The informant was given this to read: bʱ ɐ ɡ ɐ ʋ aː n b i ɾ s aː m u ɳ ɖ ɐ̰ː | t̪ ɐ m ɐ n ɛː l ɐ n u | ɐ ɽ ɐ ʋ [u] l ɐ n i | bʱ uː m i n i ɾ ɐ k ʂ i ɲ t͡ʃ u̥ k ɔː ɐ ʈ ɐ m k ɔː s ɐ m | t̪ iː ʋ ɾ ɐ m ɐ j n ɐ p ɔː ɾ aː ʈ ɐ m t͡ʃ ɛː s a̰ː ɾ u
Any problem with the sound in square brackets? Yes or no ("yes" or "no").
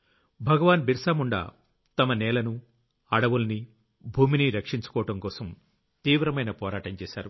no